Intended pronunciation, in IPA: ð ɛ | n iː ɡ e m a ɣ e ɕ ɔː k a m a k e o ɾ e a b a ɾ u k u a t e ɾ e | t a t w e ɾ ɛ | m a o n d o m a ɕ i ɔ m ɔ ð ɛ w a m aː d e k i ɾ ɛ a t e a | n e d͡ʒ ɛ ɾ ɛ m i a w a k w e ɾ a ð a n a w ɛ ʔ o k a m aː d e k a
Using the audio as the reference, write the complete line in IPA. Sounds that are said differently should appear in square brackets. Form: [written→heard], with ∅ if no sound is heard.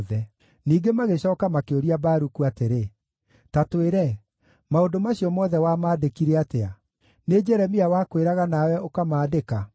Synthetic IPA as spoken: ð ɛ | n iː ɡ e m a ɣ e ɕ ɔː k a m a k e o ɾ [e→i] a b a ɾ u k u a t e ɾ e | t a t w e ɾ ɛ | m a o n d o m a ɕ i ɔ m ɔ ð ɛ w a m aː d e k i ɾ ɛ a t e a | n e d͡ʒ ɛ ɾ ɛ m i a w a k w e ɾ a [ð→ɣ] a n a w ɛ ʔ o k a m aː d e k a